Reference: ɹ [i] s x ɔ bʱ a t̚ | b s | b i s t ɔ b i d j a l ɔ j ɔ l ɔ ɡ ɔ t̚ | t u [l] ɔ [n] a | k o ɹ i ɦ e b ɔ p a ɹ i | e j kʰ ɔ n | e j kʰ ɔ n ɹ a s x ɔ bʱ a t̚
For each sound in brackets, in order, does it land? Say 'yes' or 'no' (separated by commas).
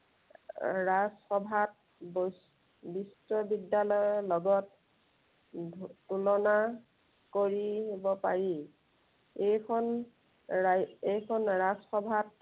no, yes, yes